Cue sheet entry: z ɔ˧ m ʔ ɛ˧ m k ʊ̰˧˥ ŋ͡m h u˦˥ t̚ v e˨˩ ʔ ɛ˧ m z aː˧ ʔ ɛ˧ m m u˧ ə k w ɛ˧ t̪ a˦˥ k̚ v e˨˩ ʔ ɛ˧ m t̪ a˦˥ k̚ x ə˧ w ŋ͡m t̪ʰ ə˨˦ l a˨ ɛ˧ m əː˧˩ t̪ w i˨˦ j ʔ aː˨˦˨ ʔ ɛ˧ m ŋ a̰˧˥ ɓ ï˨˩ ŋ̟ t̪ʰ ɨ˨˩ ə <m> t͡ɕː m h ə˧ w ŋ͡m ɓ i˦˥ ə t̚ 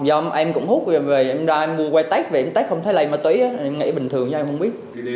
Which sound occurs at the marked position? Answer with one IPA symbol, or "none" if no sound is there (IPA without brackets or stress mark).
ŋ